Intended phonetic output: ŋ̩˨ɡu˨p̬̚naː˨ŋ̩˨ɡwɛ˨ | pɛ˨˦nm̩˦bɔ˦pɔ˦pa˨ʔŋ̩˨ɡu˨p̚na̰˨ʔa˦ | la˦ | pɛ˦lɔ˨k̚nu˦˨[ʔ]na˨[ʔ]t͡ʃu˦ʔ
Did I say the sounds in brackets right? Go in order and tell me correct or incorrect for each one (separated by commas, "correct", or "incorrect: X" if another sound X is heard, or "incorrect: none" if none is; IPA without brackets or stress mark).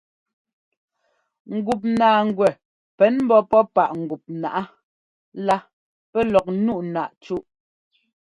correct, correct